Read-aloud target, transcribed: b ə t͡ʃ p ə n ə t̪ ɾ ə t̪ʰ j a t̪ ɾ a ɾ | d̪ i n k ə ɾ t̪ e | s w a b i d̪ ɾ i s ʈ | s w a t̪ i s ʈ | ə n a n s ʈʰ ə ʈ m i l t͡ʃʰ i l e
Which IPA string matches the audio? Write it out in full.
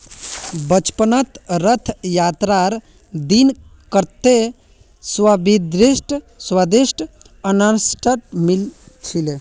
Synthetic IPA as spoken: b ə t͡ʃ p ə n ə t̪ ɾ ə t̪ʰ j a t̪ ɾ a ɾ | d̪ i n k ə ɾ t̪ e | s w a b i d̪ ɾ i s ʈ | s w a d̪ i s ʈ | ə n a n s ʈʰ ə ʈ m i l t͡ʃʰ i l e